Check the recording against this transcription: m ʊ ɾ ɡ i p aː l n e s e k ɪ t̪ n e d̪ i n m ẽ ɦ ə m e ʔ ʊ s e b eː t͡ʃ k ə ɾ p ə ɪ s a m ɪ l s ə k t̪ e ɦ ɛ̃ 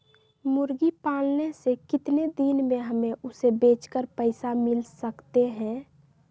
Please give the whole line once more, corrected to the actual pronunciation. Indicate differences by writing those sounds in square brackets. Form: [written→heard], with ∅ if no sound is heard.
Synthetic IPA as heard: m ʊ ɾ ɡ i p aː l n e s e k ɪ t̪ n e d̪ i n m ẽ ɦ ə m e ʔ ʊ s e b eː t͡ʃ k ə ɾ p ə ɪ s a m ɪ l s ə k t̪ e ɦ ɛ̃